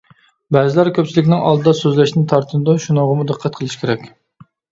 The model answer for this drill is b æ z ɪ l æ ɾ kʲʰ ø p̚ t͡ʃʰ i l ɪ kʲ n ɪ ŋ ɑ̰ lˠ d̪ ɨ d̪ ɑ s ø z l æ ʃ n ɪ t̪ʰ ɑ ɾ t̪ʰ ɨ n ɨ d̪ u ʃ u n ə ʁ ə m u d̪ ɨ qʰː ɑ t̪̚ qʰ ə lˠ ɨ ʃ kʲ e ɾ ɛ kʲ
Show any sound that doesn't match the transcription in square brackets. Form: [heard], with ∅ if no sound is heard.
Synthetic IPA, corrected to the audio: b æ z ɪ l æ ɾ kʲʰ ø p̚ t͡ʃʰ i l ɪ kʲ n ɪ ŋ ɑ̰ lˠ d̪ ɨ d̪ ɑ s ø z l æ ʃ n ɪ t̪ʰ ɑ ɾ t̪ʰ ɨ n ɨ d̪ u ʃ u n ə ʁ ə m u d̪ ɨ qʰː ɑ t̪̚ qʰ ə lˠ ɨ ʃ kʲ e ɾ ɛ kʲ